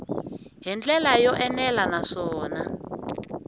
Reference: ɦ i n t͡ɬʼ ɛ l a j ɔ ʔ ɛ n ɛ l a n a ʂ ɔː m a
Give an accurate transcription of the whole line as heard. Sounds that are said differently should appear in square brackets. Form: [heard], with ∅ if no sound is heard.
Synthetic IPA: ɦ i n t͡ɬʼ ɛ l a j ɔ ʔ ɛ n ɛ l a n a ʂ ɔː [n] a